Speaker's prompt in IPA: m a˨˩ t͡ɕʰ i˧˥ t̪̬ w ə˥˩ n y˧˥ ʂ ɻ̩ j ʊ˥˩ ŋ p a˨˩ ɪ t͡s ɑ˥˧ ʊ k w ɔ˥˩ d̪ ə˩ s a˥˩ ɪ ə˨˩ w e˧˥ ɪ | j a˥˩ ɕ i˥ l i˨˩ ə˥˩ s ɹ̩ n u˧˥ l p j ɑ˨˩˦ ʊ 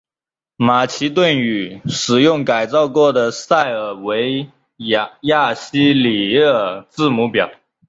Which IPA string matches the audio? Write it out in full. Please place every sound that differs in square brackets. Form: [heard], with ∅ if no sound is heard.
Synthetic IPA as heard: m a˨˩ t͡ɕʰ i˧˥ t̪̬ w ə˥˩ n [y˨˩] ʂ ɻ̩ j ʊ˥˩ ŋ [k] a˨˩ ɪ t͡s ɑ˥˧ ʊ k w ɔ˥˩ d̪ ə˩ s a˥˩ ɪ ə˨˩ w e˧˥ ɪ | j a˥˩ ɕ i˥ l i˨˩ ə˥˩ [t͡s] ɹ̩ [m] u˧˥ [∅] p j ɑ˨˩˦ ʊ